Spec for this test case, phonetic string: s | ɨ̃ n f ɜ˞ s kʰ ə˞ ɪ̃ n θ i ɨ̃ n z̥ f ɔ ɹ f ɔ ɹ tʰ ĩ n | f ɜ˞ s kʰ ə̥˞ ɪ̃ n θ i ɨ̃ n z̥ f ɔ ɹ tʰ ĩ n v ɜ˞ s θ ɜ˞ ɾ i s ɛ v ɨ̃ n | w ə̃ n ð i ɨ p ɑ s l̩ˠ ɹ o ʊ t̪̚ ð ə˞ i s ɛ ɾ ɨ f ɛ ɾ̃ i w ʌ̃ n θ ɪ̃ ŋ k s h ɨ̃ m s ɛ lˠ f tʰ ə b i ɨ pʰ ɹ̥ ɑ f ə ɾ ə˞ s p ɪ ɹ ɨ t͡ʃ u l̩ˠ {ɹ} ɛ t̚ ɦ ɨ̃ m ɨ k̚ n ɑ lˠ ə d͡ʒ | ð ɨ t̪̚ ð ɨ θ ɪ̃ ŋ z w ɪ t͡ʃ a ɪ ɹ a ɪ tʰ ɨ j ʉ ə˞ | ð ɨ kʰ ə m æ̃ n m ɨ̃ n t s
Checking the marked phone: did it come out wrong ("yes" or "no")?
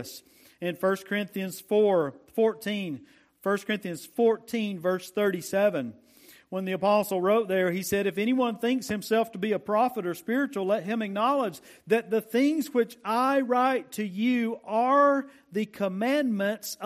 yes